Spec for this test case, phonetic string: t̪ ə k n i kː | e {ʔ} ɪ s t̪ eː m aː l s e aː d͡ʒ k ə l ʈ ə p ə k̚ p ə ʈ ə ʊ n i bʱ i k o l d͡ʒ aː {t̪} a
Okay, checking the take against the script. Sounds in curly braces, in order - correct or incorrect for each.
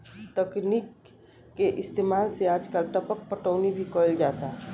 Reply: correct, correct

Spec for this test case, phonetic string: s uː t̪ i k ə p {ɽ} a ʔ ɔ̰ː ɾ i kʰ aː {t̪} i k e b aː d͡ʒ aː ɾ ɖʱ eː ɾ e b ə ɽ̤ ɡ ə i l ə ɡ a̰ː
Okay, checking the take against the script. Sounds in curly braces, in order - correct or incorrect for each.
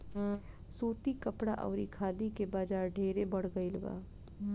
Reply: correct, incorrect: d̪

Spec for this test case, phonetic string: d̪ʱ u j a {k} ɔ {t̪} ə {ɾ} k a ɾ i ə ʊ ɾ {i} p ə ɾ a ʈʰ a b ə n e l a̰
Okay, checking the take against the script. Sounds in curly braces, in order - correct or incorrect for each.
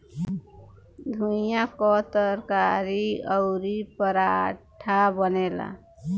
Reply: correct, correct, correct, correct

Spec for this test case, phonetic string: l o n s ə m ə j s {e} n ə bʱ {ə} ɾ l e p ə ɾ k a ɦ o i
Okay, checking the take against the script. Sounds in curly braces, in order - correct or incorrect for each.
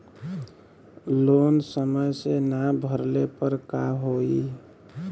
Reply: correct, correct

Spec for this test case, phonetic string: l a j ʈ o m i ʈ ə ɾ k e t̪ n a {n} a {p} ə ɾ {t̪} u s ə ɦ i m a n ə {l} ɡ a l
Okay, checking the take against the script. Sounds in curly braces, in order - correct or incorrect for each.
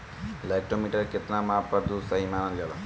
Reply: incorrect: m, correct, incorrect: d̪, correct

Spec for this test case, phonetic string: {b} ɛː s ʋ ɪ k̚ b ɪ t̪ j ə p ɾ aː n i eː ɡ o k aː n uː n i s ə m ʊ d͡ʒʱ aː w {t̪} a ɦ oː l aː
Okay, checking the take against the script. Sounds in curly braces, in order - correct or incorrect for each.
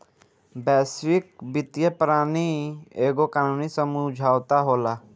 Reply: correct, correct

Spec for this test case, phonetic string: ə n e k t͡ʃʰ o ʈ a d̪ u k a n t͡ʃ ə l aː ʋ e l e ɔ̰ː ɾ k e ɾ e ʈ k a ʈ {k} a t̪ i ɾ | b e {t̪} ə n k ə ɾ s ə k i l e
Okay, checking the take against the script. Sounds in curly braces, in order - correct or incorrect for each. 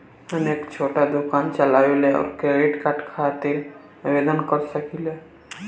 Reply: incorrect: kʰ, incorrect: d̪

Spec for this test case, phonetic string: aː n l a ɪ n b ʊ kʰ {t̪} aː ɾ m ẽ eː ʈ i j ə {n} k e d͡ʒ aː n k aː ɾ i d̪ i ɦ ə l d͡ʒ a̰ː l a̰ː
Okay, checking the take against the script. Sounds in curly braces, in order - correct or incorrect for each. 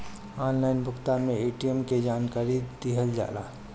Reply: correct, incorrect: m

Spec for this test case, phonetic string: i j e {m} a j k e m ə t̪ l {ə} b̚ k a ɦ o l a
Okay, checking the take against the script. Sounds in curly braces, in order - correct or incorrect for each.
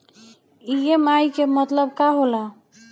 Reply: correct, correct

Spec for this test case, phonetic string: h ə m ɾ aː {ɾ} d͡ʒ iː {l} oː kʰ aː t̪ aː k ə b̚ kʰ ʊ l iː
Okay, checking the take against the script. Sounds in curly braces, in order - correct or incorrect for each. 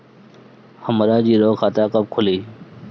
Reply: incorrect: none, incorrect: ɾ

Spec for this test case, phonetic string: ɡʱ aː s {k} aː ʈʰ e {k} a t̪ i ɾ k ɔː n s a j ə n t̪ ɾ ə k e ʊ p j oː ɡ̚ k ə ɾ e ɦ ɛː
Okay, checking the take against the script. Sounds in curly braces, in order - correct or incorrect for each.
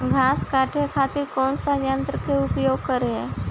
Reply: correct, incorrect: kʰ

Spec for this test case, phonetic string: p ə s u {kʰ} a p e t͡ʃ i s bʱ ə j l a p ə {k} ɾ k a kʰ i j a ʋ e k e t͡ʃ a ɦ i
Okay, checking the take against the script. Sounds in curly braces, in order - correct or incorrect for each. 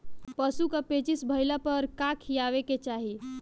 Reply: incorrect: k, incorrect: none

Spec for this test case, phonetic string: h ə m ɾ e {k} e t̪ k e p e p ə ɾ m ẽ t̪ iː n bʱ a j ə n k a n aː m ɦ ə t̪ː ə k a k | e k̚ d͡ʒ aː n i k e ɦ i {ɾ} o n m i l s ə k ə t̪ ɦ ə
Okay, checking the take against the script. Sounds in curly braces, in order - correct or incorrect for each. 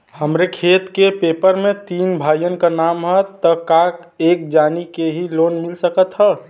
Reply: incorrect: kʰ, incorrect: l

